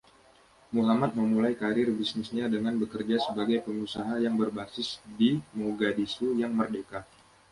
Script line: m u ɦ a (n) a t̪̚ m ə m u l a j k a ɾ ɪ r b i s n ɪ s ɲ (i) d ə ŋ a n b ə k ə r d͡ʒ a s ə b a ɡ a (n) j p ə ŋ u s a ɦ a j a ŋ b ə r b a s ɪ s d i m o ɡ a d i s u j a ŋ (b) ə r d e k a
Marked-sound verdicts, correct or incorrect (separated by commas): incorrect, incorrect, incorrect, incorrect